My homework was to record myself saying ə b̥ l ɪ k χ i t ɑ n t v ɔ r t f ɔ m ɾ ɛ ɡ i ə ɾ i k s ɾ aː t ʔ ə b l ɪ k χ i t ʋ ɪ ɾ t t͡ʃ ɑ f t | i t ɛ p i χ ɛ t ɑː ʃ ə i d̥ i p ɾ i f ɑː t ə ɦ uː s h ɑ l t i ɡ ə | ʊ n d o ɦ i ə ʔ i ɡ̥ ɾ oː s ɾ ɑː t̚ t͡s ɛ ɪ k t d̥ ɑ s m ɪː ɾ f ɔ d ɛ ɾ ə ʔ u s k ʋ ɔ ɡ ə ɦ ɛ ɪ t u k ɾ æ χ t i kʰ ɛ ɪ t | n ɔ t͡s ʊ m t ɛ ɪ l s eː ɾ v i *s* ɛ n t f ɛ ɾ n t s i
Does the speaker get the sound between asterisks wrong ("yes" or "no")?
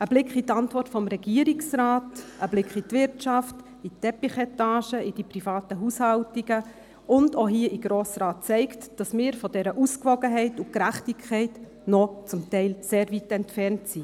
yes